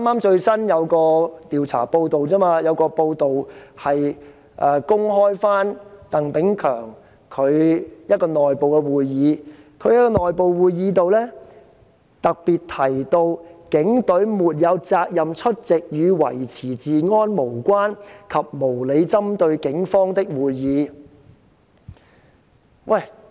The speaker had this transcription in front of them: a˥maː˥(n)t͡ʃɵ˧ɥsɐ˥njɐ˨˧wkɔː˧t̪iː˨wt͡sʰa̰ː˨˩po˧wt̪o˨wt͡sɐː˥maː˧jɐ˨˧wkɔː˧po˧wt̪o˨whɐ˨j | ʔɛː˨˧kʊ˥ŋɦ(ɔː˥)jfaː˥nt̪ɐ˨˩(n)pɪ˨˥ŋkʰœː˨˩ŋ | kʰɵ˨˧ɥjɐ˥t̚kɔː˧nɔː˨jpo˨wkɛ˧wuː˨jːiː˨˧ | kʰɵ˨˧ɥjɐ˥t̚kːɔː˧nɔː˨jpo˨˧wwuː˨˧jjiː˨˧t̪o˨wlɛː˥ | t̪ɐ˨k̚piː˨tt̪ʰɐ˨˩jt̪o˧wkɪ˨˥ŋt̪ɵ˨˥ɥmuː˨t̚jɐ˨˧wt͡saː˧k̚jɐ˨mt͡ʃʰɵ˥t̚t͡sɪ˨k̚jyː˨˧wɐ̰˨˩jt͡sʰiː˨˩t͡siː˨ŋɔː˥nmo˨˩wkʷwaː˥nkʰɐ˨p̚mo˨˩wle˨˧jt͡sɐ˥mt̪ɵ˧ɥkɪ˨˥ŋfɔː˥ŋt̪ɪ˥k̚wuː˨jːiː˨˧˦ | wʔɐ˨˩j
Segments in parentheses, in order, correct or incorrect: incorrect: m, correct, incorrect: ŋ

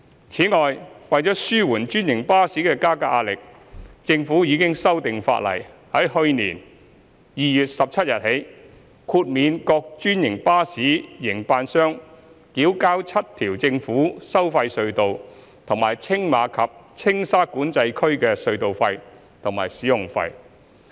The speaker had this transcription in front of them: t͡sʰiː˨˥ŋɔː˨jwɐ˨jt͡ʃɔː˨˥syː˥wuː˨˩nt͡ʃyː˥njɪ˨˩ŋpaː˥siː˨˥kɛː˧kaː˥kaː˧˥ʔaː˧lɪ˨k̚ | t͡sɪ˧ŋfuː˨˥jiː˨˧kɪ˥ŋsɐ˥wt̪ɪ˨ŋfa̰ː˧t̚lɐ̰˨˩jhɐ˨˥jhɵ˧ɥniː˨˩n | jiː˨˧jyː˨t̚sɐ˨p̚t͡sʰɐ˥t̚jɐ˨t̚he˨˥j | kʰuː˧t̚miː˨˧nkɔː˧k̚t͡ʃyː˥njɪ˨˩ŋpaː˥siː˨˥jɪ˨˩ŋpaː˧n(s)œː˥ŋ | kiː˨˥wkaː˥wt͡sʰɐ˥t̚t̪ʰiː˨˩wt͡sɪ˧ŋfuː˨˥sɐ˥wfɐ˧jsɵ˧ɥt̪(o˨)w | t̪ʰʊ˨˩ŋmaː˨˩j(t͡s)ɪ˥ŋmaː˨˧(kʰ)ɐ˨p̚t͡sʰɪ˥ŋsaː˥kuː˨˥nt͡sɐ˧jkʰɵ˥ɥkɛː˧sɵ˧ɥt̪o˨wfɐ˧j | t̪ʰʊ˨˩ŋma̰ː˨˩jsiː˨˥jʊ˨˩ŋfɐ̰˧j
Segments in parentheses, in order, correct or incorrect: correct, correct, incorrect: t͡sʰ, correct

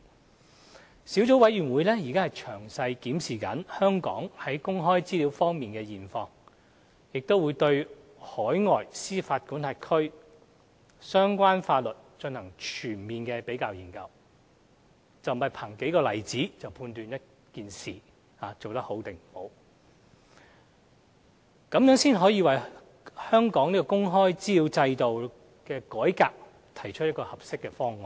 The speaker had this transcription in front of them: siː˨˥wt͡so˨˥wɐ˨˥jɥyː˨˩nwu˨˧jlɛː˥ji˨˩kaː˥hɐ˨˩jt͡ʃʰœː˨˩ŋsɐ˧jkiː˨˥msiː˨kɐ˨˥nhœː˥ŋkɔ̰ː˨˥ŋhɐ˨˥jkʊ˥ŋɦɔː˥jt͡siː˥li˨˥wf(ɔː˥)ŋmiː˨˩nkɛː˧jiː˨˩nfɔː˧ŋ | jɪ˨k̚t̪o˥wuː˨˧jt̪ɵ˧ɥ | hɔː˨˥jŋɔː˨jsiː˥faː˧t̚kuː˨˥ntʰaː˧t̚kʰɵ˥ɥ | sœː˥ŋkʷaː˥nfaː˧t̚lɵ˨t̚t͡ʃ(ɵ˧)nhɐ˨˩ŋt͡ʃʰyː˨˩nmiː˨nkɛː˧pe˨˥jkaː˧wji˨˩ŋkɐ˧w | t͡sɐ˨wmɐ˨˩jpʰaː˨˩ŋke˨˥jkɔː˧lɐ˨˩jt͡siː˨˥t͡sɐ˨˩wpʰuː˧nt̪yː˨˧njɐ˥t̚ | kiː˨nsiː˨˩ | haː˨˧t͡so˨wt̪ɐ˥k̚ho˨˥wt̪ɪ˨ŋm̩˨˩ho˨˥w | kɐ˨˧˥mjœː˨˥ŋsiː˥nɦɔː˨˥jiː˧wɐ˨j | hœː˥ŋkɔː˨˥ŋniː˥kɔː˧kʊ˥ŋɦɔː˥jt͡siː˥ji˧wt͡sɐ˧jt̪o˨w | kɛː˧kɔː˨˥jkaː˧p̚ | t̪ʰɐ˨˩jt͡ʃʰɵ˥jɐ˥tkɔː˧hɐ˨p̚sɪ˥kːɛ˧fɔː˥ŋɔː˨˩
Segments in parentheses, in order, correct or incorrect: correct, correct

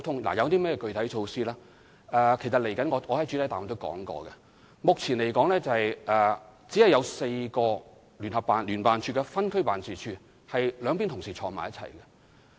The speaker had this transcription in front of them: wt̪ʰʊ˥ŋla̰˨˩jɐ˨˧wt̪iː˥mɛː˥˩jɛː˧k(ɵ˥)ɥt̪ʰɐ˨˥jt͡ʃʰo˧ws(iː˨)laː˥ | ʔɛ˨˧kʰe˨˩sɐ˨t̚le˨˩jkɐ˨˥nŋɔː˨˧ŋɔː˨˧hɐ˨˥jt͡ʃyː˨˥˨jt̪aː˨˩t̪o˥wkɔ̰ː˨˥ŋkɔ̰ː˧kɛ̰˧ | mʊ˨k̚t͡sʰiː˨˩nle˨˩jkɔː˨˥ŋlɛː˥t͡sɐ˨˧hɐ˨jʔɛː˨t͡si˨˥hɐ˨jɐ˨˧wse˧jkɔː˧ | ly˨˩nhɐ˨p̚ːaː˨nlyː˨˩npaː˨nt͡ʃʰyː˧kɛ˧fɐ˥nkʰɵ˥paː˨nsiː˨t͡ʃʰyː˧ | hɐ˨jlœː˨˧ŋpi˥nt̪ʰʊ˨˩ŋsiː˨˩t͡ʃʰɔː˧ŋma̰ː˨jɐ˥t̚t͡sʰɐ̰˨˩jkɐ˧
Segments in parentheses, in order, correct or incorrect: incorrect: ɵ˧, incorrect: iː˥

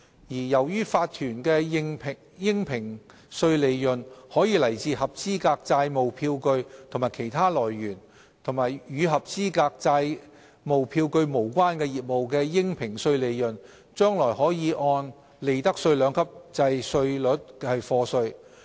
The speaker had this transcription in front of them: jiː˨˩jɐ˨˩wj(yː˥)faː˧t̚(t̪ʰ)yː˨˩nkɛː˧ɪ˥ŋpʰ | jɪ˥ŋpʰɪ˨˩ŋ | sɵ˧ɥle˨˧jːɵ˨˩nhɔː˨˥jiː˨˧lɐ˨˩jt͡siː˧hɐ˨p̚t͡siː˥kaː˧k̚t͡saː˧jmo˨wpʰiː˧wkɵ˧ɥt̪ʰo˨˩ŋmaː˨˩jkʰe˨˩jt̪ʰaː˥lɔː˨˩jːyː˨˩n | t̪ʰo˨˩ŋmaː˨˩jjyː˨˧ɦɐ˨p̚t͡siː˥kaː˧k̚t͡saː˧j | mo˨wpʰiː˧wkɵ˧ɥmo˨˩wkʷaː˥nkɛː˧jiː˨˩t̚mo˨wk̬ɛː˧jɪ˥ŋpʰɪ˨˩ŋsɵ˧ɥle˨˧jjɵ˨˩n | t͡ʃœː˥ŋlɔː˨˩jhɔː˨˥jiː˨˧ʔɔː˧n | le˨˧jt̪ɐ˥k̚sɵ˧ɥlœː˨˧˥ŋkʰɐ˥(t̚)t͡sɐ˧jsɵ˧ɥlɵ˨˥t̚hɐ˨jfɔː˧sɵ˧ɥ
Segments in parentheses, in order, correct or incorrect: correct, correct, incorrect: p̚

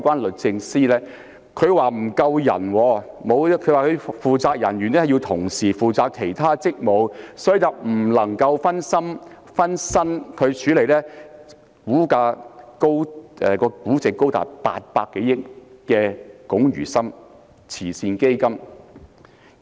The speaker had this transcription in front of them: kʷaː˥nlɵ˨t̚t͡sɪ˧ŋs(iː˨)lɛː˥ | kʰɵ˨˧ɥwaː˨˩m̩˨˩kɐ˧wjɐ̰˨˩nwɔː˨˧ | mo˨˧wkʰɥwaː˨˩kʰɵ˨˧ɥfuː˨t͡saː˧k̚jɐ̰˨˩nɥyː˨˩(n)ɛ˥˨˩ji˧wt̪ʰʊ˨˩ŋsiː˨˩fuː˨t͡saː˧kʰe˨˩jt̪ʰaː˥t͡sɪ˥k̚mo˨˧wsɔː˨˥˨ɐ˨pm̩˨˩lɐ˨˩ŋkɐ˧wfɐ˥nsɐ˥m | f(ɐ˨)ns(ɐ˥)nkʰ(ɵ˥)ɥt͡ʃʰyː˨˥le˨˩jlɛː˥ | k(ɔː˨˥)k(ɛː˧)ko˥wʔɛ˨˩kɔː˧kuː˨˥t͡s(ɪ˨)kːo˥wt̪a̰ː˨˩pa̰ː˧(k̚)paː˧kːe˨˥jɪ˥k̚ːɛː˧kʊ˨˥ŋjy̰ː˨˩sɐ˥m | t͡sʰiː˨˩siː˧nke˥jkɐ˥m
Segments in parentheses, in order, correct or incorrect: incorrect: iː˥, correct, incorrect: ɐ˥, correct, incorrect: ɵ˨˧, incorrect: uː˨˥, incorrect: aː˧, correct, incorrect: t̚

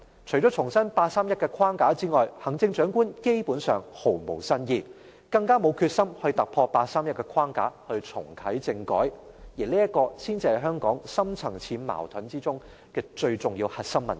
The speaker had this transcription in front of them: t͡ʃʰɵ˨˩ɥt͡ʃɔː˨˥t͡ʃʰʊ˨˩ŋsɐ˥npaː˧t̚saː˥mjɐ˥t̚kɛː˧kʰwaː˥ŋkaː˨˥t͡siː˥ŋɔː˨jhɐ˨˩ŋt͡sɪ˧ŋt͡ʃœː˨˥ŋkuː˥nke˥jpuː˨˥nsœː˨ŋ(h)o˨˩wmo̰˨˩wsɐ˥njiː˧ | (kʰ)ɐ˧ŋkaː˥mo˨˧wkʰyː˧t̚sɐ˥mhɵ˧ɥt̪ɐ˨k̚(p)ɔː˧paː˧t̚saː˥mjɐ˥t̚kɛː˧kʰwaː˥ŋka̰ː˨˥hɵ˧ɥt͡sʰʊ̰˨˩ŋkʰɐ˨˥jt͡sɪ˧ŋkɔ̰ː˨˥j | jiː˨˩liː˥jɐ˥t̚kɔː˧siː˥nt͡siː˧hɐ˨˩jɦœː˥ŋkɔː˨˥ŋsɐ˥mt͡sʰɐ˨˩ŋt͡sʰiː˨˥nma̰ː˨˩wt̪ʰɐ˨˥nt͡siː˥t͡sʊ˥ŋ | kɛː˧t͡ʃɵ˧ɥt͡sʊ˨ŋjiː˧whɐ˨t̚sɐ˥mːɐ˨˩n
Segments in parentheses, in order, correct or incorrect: correct, incorrect: k, incorrect: pʰ

